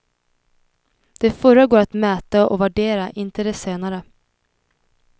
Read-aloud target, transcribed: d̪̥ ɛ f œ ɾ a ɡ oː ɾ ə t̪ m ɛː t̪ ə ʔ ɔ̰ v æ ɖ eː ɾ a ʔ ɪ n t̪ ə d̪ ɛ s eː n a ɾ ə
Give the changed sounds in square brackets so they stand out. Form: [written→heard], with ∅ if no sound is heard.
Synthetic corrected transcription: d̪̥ ɛ f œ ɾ a ɡ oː ɾ [ə→a] t̪ m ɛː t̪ [ə→a] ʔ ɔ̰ v æ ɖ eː ɾ a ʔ ɪ n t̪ ə d̪ ɛ s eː n a ɾ ə